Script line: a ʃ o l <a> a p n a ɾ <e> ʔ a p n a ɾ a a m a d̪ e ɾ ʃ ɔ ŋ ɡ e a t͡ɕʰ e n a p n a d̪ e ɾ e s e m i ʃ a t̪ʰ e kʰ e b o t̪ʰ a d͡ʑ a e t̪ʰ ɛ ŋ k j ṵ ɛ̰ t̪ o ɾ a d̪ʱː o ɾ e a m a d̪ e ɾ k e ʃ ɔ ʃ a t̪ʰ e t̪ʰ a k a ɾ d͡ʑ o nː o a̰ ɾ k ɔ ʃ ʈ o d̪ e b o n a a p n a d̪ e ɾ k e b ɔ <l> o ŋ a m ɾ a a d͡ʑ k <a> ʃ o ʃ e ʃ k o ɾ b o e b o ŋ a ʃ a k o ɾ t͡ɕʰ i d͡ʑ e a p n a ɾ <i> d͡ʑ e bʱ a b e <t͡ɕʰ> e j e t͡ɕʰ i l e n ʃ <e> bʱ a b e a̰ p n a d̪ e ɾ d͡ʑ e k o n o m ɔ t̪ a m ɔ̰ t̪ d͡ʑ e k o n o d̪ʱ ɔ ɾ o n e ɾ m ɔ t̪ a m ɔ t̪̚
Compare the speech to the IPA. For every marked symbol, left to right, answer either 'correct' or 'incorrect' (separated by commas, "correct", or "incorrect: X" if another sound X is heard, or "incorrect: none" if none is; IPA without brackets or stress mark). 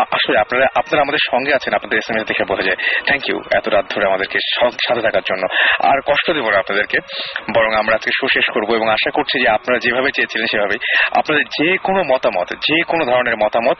incorrect: e, incorrect: a, incorrect: ɾ, incorrect: e, incorrect: a, incorrect: t͡ɕ, correct